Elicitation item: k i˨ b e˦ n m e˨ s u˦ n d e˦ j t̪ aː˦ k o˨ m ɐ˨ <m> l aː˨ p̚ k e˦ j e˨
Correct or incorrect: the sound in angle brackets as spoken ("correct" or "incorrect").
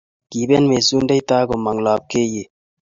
incorrect